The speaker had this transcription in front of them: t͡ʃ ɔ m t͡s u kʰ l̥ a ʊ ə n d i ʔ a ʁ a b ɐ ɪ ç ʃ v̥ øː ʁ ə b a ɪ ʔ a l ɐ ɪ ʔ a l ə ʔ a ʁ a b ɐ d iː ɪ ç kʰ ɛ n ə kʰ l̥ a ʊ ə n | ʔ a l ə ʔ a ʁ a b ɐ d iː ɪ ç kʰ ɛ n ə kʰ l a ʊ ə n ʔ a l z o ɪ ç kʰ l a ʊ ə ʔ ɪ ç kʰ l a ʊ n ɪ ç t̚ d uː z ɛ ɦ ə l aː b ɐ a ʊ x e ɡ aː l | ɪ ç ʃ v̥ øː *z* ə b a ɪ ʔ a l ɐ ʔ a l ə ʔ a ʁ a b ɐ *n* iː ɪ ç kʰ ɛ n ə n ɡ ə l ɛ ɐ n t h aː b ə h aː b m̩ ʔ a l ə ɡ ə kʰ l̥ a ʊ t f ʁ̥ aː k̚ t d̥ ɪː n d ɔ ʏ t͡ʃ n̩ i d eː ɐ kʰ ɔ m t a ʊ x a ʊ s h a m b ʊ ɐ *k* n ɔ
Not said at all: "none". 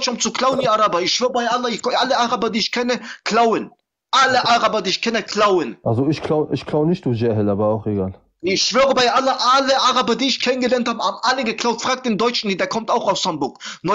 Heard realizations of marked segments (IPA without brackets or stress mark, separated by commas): ʁ, d, k